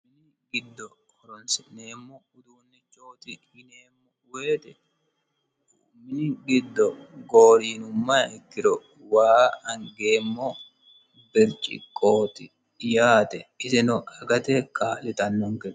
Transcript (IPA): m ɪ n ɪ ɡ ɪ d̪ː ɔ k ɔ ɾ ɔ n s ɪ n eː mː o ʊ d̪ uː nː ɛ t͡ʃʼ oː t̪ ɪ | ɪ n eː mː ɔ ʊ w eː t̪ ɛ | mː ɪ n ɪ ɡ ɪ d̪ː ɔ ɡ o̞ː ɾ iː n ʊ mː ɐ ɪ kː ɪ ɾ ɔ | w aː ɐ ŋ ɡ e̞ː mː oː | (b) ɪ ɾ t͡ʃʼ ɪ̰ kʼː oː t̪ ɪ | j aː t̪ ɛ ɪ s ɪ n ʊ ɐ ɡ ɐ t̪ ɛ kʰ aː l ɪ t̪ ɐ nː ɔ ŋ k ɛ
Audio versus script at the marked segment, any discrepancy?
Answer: no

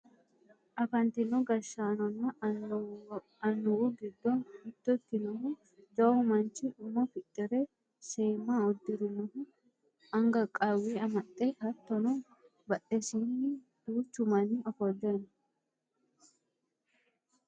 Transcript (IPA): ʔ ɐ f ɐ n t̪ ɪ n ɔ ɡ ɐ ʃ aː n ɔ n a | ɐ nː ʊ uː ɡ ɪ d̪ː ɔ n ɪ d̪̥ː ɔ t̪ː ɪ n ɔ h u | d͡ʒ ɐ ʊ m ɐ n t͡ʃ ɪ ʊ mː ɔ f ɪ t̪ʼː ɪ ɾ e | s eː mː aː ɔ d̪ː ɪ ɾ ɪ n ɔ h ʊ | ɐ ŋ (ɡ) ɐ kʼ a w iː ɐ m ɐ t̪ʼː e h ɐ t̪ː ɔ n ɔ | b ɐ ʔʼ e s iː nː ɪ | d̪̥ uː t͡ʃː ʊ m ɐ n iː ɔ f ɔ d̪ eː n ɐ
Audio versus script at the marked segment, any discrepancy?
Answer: no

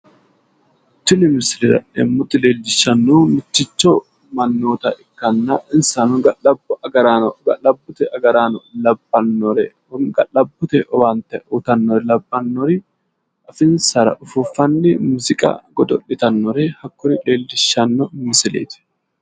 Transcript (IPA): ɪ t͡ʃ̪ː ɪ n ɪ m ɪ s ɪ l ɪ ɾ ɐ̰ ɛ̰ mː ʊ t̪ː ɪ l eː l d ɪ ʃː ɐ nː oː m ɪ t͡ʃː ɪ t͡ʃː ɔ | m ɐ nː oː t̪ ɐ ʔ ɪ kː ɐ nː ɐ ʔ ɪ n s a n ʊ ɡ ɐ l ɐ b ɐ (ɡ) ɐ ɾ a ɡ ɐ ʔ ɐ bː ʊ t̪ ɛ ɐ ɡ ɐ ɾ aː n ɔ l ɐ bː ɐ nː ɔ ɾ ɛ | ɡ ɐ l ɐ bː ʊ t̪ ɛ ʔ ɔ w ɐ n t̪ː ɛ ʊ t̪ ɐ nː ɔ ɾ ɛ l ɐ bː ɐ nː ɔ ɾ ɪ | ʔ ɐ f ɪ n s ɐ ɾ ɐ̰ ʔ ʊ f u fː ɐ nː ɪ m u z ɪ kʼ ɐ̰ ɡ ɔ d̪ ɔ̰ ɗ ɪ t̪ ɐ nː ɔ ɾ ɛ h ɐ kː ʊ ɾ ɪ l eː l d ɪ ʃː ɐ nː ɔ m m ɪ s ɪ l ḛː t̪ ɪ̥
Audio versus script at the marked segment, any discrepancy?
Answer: no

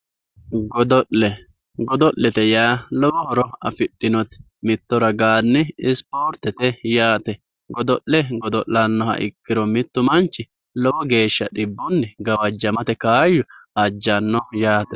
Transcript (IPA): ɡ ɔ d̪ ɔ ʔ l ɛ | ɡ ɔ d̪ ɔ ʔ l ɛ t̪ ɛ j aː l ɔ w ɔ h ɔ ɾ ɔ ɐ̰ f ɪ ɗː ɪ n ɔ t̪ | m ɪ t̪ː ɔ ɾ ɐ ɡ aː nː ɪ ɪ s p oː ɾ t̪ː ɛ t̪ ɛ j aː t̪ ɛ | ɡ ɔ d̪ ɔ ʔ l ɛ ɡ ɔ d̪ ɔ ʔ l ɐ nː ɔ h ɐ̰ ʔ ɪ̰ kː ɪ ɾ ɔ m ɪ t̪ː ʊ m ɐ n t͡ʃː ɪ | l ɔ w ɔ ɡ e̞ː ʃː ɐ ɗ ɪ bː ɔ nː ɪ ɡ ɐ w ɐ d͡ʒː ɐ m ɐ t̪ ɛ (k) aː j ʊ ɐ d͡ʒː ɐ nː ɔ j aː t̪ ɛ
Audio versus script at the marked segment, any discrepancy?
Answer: no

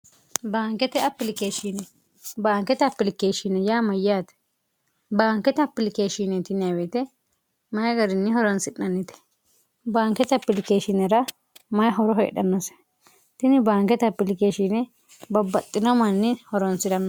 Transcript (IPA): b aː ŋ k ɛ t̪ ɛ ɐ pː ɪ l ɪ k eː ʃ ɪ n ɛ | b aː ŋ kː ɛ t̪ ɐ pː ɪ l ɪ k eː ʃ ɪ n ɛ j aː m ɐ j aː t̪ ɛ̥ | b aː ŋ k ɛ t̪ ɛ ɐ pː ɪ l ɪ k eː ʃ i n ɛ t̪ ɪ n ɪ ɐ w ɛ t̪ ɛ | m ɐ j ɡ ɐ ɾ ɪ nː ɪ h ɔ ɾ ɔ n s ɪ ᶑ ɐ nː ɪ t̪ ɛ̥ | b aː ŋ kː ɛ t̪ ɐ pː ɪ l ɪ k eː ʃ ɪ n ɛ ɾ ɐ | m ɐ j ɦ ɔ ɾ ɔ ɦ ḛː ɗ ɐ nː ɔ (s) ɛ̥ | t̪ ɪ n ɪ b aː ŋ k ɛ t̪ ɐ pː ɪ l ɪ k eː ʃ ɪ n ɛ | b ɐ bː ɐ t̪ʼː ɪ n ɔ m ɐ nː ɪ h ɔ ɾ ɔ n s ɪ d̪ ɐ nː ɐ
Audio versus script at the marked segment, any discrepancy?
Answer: no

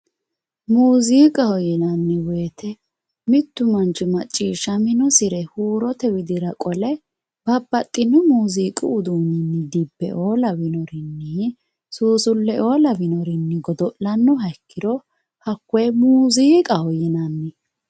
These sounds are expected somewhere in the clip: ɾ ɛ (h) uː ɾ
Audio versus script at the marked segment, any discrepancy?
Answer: no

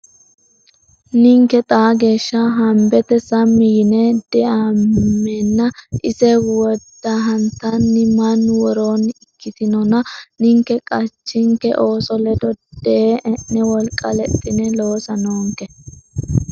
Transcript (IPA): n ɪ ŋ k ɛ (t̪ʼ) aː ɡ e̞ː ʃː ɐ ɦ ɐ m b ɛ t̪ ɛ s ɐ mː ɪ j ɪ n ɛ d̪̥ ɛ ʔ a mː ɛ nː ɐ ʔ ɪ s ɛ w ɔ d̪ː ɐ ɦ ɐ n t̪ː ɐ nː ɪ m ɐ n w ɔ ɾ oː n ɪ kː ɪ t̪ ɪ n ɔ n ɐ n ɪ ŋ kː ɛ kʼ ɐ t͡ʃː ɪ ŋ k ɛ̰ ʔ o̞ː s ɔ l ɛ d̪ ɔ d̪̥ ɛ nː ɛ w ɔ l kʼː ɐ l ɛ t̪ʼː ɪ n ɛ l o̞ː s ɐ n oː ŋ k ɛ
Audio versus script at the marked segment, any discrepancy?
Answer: no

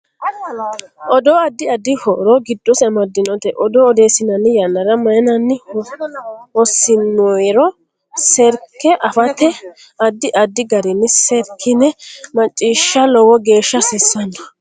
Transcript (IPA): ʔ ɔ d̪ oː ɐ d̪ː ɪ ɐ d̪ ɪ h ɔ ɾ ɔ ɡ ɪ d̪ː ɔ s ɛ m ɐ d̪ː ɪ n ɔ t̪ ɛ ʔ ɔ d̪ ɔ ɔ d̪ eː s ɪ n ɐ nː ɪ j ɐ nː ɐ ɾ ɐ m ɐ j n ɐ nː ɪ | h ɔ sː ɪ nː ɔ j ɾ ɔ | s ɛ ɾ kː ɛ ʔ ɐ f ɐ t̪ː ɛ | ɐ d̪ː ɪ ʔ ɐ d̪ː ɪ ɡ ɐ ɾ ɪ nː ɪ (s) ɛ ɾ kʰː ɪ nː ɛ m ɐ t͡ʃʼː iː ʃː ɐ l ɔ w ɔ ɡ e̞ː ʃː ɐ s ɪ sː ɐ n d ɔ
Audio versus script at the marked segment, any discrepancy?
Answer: no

